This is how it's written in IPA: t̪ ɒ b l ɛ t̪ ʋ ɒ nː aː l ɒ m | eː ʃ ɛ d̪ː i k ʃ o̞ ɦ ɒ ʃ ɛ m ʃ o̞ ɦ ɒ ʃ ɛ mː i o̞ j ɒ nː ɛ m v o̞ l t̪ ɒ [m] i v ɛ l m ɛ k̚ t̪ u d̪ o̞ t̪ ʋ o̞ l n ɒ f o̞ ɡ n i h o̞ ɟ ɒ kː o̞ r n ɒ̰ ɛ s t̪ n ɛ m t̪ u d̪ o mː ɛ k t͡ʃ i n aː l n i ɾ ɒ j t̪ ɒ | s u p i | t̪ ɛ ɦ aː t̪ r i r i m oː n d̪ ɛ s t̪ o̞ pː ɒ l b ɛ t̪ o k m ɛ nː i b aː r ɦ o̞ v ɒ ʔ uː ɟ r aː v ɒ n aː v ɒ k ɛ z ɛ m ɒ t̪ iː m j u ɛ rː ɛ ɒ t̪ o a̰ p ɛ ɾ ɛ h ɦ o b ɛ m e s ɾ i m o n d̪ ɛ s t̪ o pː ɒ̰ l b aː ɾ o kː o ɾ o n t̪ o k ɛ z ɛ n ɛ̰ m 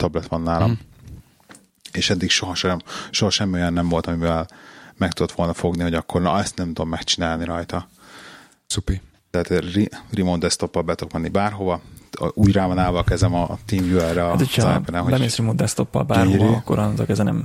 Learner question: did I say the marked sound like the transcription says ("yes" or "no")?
yes